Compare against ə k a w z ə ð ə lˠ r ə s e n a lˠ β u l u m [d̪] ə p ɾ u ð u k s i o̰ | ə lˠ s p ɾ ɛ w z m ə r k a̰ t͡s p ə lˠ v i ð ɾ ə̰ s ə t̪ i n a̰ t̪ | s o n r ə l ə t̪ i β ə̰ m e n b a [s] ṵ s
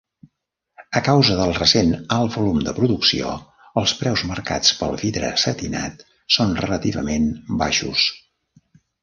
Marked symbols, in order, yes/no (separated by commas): yes, no